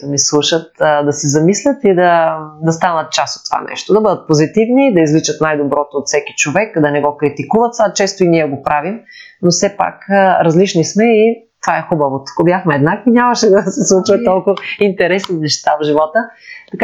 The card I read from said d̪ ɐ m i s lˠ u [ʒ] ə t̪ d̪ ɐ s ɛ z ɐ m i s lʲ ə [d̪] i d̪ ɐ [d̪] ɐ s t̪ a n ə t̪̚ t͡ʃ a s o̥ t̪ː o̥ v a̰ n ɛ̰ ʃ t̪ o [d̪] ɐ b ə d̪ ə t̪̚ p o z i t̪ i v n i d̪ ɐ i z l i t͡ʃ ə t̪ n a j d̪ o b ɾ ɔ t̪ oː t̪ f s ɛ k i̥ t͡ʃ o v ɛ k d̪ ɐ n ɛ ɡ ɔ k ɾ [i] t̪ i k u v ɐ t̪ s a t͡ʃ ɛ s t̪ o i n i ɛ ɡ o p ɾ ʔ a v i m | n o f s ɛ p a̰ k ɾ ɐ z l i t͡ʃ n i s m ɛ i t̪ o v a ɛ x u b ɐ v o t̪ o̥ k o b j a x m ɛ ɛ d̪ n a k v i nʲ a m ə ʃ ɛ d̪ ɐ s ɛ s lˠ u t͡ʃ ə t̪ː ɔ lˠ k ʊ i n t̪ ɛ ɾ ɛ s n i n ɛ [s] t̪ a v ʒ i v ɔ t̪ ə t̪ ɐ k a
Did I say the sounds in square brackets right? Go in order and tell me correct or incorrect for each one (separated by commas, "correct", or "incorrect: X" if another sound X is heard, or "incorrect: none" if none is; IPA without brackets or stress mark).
incorrect: ʃ, incorrect: t̪, correct, correct, correct, incorrect: ʃ